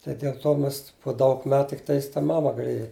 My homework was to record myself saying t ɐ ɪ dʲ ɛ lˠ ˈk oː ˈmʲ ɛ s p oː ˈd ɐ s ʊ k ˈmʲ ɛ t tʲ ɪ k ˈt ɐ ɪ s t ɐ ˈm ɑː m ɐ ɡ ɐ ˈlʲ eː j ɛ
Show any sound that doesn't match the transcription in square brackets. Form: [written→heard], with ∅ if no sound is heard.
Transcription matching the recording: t ɐ ɪ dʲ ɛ lˠ [ˈk→ˈt] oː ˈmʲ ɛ s p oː ˈd ɐ [s→∅] ʊ k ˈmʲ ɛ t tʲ ɪ k ˈt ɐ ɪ s t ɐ ˈm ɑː m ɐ ɡ ɐ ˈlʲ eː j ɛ